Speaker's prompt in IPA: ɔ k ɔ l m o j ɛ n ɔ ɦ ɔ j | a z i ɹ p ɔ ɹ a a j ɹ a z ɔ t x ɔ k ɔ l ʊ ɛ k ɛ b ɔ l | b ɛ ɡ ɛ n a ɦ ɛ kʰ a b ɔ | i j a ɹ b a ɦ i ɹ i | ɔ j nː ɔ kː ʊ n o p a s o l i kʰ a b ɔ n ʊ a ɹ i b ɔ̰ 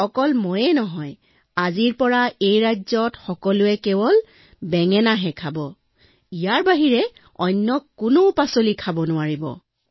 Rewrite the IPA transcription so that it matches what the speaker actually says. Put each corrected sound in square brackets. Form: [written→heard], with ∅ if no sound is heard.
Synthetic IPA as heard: ɔ k ɔ l m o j ɛ n ɔ ɦ ɔ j | a z i ɹ p ɔ ɹ a [a→e] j ɹ a z ɔ t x ɔ k ɔ l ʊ ɛ k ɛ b ɔ l | b ɛ [ɡ→ŋ] ɛ n a ɦ ɛ kʰ a b ɔ | i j a ɹ b a ɦ i ɹ [i→ɛ] | ɔ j nː ɔ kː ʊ n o p a s o l i kʰ a b ɔ n ʊ a ɹ i b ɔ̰